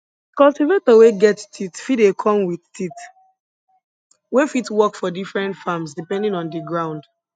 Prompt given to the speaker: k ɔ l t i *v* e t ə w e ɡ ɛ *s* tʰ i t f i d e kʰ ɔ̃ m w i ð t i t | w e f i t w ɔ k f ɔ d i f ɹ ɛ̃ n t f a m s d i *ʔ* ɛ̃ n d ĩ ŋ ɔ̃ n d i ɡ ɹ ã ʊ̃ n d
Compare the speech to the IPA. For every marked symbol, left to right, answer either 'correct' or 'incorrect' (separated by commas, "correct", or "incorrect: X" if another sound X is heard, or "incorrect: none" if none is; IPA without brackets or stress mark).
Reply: correct, incorrect: t, incorrect: p